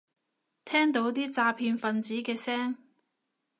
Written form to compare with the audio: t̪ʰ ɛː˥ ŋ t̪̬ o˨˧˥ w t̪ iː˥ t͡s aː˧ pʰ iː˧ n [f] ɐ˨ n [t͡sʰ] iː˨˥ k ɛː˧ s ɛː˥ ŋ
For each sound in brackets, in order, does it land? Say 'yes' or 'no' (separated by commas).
yes, no